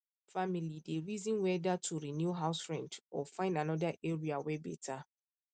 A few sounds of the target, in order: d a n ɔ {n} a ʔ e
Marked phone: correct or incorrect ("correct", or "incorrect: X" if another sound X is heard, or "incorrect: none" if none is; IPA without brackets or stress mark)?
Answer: incorrect: d